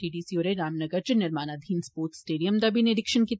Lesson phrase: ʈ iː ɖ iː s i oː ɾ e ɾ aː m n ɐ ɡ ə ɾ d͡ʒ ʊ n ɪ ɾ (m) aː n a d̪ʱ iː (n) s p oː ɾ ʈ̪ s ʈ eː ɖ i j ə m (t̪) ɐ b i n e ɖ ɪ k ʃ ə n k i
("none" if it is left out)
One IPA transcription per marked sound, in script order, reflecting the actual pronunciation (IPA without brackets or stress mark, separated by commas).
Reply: m, n, d̪